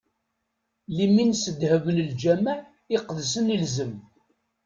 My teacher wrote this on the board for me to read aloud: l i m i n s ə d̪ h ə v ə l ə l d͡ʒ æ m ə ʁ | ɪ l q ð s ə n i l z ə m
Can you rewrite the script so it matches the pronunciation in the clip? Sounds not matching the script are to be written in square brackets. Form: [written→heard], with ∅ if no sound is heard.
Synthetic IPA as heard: l i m i n s ə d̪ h ə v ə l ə l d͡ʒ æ m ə [ʁ→ʕ] | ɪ [l→∅] q ð s ə n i l z ə m